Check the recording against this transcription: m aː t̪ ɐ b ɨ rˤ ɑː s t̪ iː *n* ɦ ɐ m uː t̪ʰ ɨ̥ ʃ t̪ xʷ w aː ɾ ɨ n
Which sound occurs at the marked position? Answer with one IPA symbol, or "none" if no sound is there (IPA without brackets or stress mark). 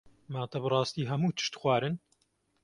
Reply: none